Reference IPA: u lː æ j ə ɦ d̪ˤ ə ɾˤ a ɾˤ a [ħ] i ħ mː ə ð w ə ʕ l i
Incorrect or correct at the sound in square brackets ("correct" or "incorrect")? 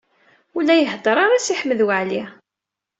incorrect